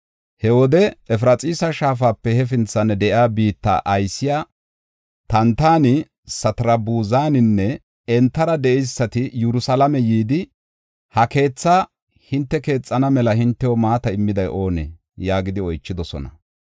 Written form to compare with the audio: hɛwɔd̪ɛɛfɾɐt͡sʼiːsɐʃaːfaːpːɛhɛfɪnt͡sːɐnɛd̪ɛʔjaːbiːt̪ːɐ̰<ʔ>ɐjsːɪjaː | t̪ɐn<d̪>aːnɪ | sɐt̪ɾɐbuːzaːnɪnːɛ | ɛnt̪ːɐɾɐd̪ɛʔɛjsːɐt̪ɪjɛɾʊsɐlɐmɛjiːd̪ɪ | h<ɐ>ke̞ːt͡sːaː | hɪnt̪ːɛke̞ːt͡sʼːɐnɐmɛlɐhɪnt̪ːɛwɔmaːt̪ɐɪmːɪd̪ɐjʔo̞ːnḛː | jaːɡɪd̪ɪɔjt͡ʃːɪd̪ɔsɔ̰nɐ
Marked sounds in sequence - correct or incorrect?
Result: correct, incorrect: t̪, correct

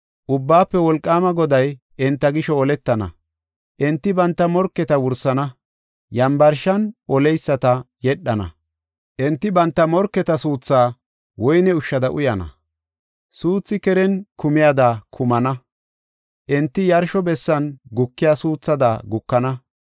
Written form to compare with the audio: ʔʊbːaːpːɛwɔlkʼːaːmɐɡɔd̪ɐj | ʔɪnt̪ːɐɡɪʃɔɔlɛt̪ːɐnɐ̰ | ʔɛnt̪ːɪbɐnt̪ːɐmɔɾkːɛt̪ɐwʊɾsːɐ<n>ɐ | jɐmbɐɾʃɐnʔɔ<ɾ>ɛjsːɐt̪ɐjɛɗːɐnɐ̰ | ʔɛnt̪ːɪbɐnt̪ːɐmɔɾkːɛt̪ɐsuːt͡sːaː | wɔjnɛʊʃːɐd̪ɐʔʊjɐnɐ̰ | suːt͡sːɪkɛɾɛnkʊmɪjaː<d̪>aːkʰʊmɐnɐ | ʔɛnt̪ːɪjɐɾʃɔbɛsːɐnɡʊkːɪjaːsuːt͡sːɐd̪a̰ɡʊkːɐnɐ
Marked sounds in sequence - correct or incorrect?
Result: correct, incorrect: l, correct

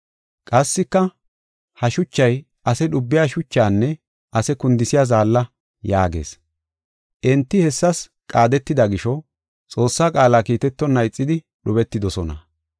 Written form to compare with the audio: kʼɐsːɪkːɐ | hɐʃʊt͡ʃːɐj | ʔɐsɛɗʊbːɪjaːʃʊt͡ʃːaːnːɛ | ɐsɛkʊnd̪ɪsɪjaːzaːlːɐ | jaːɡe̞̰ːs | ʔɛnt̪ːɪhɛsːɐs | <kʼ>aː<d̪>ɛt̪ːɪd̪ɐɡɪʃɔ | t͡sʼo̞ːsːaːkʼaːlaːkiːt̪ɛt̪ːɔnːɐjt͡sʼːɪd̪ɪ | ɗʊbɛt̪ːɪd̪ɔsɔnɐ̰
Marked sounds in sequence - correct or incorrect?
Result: correct, correct

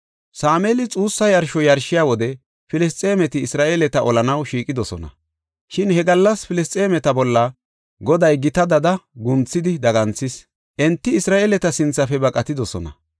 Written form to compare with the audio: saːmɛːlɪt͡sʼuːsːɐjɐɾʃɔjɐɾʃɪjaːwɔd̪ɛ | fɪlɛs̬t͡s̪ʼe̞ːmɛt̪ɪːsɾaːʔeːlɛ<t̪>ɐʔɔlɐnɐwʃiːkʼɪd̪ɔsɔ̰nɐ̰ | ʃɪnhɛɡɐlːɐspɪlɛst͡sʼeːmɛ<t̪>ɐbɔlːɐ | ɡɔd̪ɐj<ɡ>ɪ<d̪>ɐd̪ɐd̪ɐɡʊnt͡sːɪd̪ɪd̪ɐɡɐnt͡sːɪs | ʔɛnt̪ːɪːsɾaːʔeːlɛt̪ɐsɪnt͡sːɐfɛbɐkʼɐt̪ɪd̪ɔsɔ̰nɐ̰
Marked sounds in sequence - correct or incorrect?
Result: correct, correct, correct, incorrect: t̪

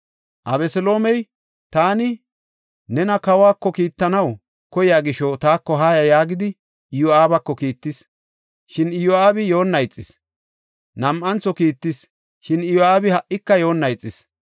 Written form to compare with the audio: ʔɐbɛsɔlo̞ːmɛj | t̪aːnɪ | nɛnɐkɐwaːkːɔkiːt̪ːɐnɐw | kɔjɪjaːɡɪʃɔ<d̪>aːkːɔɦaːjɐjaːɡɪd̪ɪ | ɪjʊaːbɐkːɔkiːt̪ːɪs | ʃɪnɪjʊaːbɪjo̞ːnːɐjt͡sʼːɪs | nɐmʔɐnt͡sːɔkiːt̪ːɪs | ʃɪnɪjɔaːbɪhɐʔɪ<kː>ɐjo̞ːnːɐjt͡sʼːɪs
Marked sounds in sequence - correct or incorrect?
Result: incorrect: t̪, correct

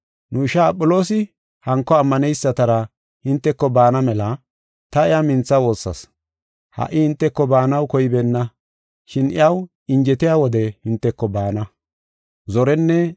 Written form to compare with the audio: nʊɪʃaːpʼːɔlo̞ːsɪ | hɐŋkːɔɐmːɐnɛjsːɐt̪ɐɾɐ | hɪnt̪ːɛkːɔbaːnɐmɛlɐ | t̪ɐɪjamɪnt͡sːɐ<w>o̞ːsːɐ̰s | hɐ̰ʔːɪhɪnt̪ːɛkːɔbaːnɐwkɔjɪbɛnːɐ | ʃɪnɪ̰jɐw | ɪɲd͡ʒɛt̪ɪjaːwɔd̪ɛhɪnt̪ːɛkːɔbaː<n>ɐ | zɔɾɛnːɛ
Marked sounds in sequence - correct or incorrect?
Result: correct, correct

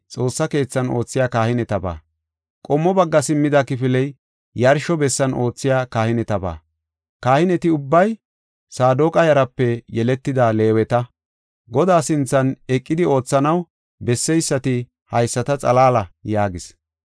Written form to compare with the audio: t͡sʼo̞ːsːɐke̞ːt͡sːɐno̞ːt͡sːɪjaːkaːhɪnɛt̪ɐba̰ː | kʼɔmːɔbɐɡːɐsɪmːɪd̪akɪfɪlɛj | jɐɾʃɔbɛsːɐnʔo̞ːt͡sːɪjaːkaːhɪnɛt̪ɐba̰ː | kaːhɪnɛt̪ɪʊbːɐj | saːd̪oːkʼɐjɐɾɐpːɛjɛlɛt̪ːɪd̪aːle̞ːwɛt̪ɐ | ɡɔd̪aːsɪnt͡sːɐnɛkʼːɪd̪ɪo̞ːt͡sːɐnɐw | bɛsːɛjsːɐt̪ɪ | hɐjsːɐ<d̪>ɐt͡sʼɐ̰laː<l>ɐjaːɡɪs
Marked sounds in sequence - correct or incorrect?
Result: incorrect: t̪, correct

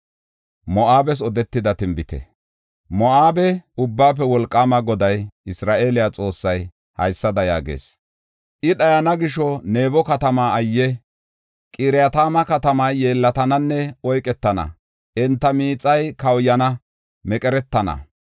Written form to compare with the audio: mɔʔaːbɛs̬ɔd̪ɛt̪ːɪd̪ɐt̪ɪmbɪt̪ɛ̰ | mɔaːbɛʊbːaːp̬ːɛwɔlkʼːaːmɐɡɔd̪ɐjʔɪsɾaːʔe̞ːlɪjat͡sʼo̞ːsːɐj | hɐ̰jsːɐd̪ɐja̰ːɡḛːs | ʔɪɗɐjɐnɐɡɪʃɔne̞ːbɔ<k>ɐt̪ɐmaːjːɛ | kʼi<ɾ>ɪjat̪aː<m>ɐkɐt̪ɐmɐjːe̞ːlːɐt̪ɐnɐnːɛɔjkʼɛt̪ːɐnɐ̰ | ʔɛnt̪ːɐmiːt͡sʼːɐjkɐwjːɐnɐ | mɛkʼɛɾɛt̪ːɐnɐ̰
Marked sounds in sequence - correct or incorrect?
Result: correct, correct, correct

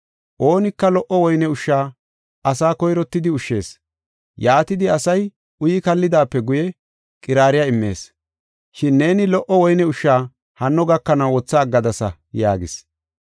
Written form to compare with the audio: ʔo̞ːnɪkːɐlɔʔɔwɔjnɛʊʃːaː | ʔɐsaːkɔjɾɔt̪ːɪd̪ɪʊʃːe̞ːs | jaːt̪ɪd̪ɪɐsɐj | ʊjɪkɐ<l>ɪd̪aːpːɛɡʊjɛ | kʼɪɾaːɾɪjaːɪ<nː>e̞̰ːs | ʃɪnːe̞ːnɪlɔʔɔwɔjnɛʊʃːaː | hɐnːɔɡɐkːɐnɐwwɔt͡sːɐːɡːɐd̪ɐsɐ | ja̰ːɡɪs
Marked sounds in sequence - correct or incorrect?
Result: incorrect: lː, incorrect: mː

